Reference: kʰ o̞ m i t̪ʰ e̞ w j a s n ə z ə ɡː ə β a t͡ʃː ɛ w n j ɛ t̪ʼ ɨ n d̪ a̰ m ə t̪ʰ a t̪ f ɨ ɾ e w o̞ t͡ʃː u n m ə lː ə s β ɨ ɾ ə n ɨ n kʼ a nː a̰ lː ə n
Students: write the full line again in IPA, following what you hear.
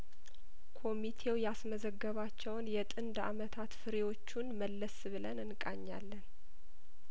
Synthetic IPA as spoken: kʰ o̞ m i t̪ʰ e̞ w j a s m ə z ə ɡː ə β a t͡ʃː ɛ w n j ɛ t̪ʼ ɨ n d̪ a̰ m ə t̪ʰ a t̪ f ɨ ɾ e w o̞ t͡ʃː u n m ə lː ə s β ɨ l ə n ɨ n kʼ a ɲː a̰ lː ə n